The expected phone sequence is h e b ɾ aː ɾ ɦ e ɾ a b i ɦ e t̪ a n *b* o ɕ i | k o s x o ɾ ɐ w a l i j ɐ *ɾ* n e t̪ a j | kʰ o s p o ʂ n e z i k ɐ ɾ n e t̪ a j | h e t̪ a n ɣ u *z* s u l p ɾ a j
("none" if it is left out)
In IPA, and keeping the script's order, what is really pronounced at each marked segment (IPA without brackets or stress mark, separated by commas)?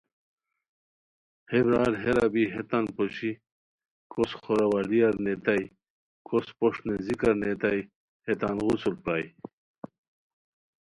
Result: p, ɾ, none